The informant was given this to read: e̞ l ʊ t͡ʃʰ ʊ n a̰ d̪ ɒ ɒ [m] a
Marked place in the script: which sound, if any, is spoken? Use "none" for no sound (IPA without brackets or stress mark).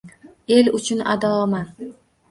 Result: m